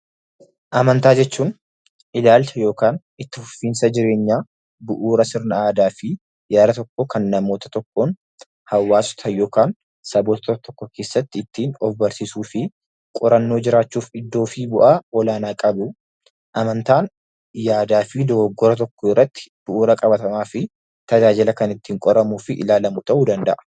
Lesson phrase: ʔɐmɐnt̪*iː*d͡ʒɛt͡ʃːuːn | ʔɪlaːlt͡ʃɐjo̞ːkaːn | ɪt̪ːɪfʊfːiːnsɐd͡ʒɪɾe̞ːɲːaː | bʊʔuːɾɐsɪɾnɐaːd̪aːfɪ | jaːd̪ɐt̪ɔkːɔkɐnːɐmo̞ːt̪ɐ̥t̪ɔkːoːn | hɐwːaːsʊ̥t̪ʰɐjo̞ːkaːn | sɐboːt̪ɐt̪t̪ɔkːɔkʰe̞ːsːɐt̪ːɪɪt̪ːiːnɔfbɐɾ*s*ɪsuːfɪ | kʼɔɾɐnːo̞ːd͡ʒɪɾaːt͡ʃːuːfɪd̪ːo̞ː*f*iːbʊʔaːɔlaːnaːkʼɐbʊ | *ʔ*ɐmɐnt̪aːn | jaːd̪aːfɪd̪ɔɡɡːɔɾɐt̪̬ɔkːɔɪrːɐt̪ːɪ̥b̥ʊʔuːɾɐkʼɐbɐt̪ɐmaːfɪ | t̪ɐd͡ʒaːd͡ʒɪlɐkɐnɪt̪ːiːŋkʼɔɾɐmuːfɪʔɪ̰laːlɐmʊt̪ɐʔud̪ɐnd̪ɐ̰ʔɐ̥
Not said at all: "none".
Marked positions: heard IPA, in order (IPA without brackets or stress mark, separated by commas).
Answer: aː, s, f, ʔ